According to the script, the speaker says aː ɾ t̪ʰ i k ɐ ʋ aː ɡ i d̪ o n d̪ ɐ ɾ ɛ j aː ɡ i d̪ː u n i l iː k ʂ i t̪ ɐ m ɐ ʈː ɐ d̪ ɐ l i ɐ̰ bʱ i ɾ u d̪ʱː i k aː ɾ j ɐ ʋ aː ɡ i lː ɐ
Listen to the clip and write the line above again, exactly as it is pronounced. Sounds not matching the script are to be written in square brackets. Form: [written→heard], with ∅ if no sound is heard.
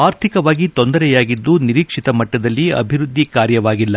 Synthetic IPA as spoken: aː ɾ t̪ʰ i k ɐ ʋ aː ɡ i [d̪→t̪] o n d̪ ɐ ɾ ɛ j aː ɡ i d̪ː u n i [l→ɾ] iː k ʂ i t̪ ɐ m ɐ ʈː ɐ d̪ ɐ [l→lː] i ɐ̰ bʱ i ɾ u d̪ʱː i k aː ɾ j ɐ ʋ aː ɡ i lː ɐ

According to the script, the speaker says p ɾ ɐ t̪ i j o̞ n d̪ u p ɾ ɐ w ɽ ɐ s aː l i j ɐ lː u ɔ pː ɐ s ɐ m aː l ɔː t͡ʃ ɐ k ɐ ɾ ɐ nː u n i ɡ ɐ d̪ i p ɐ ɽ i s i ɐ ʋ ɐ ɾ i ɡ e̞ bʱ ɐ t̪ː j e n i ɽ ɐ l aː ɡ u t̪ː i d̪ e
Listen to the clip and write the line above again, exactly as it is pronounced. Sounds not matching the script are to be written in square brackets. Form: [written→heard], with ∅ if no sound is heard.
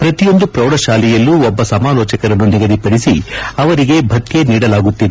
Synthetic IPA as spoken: p ɾ ɐ t̪ i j o̞ n d̪ u p ɾ ɐ w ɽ ɐ [s→ʃ] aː l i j ɐ lː u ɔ [pː→bː] ɐ s ɐ m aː l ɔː t͡ʃ ɐ k ɐ ɾ ɐ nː u n i ɡ ɐ d̪ i p ɐ ɽ i s i ɐ ʋ ɐ ɾ i ɡ e̞ bʱ ɐ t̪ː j e n [i→iː] ɽ ɐ l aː ɡ u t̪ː i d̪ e

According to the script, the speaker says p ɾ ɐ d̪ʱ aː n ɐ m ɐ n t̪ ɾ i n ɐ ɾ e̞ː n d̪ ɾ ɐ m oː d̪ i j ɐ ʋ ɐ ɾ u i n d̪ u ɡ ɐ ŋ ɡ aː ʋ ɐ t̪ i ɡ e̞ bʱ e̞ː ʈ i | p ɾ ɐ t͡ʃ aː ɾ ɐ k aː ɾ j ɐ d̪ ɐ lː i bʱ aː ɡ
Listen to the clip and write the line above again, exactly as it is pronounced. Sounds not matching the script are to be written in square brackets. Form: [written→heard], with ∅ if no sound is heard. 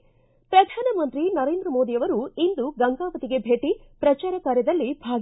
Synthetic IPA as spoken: p ɾ ɐ d̪ʱ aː n ɐ m ɐ n t̪ ɾ i n ɐ ɾ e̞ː n d̪ ɾ ɐ m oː d̪ i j ɐ ʋ ɐ ɾ u i n d̪ u ɡ ɐ ŋ ɡ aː ʋ ɐ t̪ i ɡ e̞ bʱ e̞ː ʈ i | p ɾ ɐ t͡ʃ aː ɾ ɐ k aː ɾ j ɐ d̪ ɐ lː i bʱ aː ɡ

